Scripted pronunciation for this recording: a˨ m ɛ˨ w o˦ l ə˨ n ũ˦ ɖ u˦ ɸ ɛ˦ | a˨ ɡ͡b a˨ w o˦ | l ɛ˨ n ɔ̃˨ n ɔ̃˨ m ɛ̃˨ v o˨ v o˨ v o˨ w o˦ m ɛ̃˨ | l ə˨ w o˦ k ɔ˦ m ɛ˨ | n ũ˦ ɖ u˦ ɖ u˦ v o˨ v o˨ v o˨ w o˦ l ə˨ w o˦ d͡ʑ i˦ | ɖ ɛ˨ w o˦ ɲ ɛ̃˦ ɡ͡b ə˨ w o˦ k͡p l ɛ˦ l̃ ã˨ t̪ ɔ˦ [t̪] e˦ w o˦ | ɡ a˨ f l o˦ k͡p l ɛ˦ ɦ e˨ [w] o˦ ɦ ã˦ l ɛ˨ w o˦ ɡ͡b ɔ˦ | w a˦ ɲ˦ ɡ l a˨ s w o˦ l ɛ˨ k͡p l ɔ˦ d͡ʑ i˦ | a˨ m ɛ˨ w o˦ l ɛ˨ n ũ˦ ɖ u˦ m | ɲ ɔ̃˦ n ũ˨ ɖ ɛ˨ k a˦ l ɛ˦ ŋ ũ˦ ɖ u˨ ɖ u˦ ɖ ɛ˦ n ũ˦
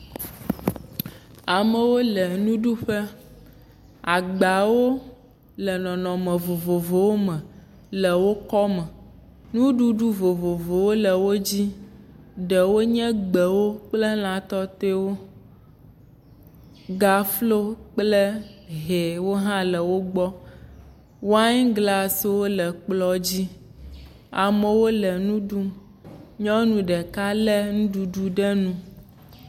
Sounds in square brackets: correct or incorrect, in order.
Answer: correct, correct

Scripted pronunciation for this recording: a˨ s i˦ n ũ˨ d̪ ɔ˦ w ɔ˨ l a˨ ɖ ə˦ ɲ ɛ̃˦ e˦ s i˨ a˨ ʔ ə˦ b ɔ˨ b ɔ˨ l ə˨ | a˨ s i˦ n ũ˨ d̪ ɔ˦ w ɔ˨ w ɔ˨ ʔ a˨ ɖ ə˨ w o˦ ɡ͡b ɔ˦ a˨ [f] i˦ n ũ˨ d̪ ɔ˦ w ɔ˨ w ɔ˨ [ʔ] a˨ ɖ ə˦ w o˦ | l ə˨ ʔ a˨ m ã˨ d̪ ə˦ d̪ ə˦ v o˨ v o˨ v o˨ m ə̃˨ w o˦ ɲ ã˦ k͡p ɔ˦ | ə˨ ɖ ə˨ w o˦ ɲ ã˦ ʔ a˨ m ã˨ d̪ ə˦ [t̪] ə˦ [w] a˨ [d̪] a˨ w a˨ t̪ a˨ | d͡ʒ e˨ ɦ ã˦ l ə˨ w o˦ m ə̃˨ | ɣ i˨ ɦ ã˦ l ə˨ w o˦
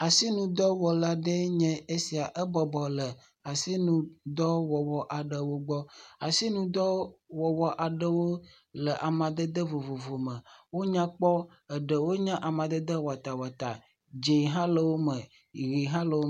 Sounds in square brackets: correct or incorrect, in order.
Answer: incorrect: s, correct, incorrect: d̪, correct, incorrect: t̪

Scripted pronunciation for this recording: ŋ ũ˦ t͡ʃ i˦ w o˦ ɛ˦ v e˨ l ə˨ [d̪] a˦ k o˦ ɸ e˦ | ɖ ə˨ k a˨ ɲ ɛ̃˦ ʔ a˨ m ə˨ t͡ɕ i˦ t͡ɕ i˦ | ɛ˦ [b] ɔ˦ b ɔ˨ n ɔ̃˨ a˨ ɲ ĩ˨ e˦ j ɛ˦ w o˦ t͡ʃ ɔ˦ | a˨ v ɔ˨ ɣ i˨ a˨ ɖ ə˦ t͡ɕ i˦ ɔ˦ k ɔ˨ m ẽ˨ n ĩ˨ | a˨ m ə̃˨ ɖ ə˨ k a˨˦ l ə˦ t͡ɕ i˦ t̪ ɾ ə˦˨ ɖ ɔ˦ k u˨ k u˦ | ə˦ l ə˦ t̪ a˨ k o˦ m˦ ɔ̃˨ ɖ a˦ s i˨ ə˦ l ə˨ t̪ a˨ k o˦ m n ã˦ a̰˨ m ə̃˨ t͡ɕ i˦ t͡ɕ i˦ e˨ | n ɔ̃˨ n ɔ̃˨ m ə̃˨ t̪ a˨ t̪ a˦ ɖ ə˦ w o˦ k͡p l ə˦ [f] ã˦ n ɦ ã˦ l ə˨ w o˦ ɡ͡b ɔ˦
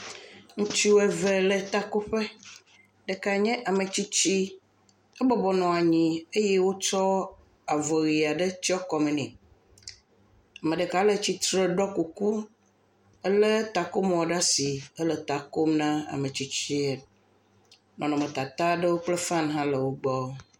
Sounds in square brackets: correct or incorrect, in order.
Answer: incorrect: t̪, correct, correct

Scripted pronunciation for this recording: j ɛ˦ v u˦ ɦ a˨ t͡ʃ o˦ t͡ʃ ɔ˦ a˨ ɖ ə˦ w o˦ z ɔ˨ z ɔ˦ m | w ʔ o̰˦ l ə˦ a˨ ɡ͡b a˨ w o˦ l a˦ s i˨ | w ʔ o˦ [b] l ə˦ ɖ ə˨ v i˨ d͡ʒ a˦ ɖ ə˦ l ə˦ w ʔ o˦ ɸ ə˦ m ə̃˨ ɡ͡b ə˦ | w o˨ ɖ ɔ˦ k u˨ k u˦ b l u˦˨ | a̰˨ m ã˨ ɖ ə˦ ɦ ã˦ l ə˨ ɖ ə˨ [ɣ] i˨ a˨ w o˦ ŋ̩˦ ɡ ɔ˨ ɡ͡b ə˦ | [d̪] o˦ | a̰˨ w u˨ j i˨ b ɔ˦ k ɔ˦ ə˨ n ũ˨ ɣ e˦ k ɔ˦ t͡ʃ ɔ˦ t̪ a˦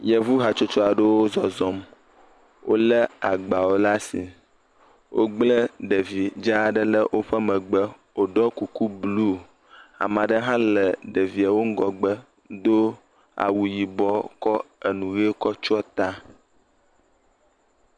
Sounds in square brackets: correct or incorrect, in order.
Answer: incorrect: ɡ͡b, incorrect: v, correct

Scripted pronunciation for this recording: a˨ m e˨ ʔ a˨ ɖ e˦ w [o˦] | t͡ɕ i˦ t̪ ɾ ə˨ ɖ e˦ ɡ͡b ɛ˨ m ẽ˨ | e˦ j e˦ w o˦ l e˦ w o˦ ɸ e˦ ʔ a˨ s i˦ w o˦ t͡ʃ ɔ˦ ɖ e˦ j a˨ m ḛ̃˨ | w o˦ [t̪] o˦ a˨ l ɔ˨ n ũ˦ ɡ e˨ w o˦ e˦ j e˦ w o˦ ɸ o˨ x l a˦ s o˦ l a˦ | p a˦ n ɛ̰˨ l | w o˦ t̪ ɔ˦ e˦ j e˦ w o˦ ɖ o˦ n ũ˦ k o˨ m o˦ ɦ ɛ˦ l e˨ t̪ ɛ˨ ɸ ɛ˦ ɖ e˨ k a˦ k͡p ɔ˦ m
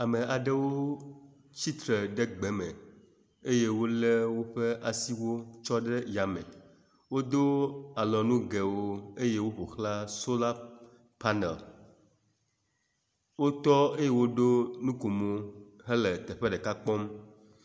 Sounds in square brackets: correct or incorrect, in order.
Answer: correct, incorrect: d̪

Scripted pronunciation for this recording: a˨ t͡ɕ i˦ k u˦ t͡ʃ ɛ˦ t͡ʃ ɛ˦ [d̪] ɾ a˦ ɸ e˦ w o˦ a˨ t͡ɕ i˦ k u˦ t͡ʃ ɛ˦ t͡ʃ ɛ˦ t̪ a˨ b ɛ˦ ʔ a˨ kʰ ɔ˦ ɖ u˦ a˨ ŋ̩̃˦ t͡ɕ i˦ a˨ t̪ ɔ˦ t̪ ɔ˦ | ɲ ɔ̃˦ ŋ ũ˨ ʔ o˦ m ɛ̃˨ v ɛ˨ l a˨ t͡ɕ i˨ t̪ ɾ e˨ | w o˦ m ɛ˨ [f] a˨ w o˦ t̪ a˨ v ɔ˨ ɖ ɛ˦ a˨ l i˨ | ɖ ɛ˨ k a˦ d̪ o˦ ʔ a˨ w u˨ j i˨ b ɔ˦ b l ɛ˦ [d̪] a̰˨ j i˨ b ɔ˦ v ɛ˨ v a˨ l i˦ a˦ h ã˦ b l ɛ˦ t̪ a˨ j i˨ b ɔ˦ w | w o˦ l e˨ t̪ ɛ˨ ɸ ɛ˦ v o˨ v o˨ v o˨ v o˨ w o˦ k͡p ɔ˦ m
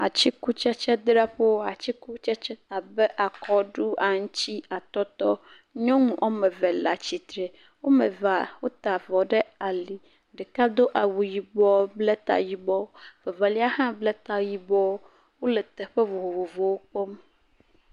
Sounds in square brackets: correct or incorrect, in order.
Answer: correct, incorrect: v, incorrect: t̪

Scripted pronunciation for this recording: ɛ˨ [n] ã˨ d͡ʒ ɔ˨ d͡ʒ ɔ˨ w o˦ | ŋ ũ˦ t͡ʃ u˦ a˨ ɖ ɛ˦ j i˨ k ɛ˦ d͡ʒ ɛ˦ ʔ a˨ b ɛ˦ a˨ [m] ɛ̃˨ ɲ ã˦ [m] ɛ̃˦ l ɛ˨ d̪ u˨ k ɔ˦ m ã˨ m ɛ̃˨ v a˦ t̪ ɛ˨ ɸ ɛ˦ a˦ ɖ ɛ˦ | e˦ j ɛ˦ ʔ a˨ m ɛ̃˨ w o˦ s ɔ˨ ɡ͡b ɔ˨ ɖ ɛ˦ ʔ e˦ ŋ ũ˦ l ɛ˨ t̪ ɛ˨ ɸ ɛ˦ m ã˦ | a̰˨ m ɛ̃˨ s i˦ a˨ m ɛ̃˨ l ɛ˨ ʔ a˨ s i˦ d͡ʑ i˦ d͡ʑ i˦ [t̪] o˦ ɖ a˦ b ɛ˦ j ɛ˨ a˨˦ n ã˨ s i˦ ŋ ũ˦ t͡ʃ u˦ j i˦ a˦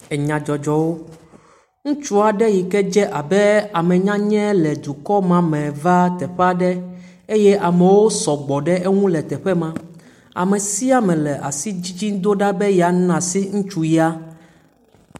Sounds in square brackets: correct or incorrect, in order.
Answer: incorrect: ɲ, correct, incorrect: ɲ, incorrect: d̪

